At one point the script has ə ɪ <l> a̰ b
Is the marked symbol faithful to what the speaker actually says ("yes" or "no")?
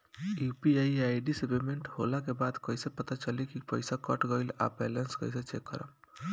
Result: yes